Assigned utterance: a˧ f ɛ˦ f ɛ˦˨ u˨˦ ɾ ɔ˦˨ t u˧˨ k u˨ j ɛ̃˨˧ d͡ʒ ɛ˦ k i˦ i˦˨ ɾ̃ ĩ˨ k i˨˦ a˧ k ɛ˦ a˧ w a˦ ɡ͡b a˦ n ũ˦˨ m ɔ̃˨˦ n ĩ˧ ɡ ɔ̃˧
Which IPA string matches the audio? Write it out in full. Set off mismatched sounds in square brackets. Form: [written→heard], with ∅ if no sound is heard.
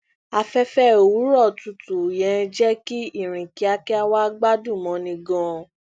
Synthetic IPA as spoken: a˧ f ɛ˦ f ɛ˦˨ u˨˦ ɾ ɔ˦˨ t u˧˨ [k→t] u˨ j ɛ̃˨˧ d͡ʒ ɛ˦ k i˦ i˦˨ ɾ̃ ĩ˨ k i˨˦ a˧ k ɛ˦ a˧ w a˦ ɡ͡b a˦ [n→d] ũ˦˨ m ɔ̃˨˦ n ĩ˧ ɡ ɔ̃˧